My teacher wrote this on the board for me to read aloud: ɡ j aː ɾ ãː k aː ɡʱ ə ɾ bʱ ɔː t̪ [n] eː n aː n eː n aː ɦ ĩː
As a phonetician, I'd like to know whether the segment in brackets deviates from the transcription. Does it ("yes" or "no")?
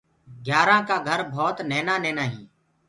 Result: no